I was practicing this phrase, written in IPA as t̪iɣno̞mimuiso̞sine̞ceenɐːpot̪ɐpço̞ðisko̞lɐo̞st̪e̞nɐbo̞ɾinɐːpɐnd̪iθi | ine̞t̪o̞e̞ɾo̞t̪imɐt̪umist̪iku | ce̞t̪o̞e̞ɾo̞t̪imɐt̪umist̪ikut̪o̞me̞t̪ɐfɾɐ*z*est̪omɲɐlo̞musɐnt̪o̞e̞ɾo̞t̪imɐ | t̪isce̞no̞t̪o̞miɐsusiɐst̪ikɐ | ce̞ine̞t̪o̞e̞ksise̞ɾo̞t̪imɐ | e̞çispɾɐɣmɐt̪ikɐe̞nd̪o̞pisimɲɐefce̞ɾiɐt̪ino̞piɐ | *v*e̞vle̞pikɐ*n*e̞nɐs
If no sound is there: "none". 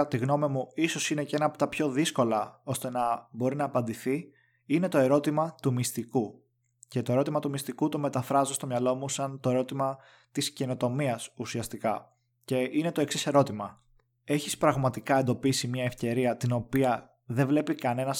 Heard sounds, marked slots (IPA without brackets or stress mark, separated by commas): z, ð, n